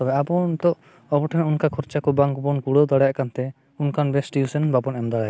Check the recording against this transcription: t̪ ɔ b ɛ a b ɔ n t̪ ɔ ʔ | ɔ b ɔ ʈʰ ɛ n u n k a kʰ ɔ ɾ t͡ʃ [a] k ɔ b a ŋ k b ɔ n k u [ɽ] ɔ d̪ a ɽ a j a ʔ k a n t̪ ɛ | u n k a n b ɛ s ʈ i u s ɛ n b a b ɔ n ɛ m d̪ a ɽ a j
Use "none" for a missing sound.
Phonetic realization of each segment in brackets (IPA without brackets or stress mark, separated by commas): a, ɽ